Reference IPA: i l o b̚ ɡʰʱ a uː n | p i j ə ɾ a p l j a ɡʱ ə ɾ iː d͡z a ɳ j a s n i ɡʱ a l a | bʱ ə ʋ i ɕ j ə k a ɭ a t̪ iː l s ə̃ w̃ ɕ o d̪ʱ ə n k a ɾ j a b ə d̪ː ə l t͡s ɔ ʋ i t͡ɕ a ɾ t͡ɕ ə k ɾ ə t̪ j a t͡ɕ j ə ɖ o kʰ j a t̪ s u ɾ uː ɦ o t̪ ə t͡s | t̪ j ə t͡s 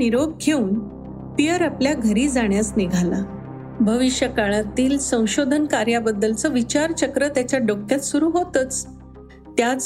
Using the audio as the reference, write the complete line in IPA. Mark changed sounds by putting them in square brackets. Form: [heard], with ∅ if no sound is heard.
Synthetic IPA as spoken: i [ɾ] o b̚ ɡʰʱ [e] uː n | p i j ə ɾ a p l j a ɡʱ ə ɾ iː d͡z a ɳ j a s n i ɡʱ a l a | bʱ ə ʋ i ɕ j ə k a ɭ a t̪ iː l s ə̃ w̃ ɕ o d̪ʱ ə n k a ɾ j a b ə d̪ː ə l t͡s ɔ ʋ i t͡ɕ a ɾ t͡ɕ ə k ɾ ə t̪ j a t͡ɕ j [a] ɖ o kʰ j a t̪ s u ɾ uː ɦ o t̪ ə t͡s | t̪ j [a] t͡s